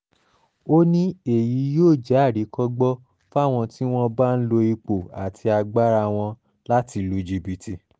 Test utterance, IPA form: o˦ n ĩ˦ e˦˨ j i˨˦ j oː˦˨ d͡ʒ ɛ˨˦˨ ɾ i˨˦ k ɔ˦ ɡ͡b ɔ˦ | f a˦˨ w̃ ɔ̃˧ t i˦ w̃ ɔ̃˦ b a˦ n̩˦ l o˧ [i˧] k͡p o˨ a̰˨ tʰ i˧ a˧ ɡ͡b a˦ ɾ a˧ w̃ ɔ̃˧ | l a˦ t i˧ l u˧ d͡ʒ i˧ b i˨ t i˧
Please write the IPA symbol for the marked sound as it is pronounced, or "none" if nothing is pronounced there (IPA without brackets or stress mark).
i˧